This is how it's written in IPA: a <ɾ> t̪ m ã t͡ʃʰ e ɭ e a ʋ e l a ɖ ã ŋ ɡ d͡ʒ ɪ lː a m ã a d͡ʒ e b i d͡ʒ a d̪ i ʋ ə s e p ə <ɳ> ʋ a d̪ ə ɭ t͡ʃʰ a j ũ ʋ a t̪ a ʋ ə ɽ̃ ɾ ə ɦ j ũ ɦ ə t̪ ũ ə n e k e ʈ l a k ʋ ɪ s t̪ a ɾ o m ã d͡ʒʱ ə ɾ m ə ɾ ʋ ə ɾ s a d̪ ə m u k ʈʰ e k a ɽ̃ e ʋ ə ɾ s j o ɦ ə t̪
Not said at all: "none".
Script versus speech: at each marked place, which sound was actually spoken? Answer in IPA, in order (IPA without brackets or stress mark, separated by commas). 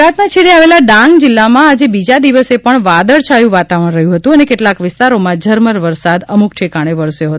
none, ɳ